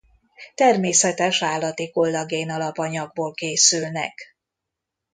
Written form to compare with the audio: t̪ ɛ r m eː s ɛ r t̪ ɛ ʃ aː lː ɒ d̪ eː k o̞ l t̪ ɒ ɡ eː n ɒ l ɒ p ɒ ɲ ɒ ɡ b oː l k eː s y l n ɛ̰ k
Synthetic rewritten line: t̪ ɛ r m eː s ɛ t̪ ɛ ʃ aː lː ɒ t̪ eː k o̞ l d̪ ɒ ɡ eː n ɒ l ɒ p ɒ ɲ ɒ ɡ b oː l k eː s y l n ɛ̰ k